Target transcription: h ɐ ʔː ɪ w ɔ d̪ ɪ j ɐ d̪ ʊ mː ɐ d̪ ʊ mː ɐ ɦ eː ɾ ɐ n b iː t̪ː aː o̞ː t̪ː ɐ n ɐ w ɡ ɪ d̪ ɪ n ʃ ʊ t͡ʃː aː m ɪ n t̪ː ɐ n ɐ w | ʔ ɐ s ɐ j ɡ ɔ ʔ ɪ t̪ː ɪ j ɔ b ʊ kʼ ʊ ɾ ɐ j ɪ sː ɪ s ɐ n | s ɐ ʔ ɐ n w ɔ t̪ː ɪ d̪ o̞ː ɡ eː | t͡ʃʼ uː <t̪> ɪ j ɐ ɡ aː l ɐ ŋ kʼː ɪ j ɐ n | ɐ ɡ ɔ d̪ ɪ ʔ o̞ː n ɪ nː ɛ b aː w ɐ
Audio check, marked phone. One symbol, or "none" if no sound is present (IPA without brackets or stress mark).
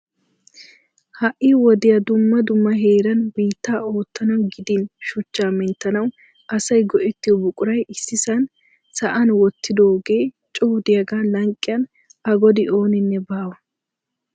d̪